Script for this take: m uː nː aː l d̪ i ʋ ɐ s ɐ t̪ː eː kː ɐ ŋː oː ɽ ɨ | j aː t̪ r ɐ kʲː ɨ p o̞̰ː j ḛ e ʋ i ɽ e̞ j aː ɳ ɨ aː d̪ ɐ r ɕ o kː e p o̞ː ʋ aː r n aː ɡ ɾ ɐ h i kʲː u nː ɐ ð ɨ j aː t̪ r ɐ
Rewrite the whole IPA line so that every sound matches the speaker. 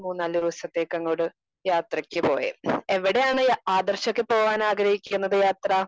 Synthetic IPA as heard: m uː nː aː l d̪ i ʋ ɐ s ɐ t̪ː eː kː ɐ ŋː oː ɽ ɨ | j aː t̪ r ɐ kʲː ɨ p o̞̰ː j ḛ e ʋ i ɽ e̞ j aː ɳ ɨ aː d̪ ɐ r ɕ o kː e p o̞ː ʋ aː n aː ɡ ɾ ɐ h i kʲː u nː ɐ ð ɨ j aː t̪ r ɐ